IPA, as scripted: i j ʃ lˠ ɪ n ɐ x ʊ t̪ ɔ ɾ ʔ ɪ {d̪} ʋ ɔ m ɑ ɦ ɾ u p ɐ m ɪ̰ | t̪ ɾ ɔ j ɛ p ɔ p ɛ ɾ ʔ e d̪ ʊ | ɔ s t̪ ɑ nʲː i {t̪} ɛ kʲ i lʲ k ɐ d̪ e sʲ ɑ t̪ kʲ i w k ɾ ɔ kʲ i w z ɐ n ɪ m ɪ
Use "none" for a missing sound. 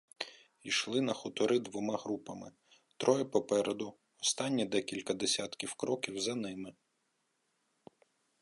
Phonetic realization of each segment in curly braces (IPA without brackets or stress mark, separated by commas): d̪, d̪